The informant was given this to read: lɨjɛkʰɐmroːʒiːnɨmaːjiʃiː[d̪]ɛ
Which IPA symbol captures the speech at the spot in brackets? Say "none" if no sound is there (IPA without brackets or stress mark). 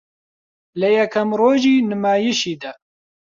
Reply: d̪